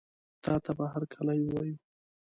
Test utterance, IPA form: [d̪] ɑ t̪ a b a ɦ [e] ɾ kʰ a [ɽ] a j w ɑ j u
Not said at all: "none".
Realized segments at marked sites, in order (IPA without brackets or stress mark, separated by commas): t̪, a, l